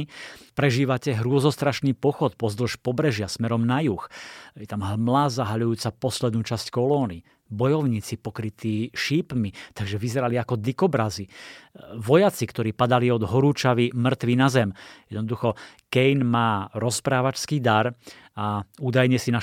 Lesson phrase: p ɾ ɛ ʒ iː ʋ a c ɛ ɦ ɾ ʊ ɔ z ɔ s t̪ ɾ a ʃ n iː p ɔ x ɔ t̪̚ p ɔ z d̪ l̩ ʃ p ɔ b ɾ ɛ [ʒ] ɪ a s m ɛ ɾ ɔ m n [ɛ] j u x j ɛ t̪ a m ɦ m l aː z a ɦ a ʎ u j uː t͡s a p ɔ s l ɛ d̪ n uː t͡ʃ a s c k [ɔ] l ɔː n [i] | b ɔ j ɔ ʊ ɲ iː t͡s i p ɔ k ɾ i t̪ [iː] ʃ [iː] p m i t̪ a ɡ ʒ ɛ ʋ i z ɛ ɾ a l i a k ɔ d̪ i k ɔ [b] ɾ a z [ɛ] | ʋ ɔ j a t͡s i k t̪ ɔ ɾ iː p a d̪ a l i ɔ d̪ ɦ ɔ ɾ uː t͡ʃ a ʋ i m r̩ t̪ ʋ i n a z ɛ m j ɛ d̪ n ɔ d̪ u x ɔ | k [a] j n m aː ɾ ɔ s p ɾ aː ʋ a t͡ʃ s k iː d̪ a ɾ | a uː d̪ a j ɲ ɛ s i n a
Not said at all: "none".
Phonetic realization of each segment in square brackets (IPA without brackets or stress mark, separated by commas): ʒ, a, ɔ, i, iː, iː, b, i, ɛ